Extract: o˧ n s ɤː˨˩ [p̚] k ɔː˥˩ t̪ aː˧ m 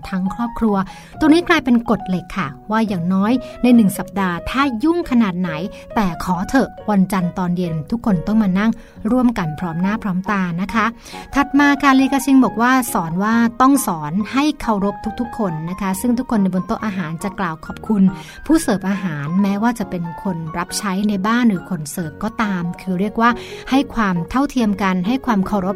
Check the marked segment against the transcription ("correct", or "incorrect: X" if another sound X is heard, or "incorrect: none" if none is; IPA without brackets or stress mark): correct